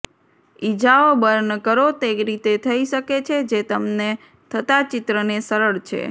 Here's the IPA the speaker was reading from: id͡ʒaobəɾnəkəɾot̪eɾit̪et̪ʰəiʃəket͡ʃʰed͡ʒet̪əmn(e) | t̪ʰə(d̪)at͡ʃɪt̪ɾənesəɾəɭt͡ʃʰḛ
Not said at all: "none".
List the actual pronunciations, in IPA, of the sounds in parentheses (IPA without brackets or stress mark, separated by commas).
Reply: e, t̪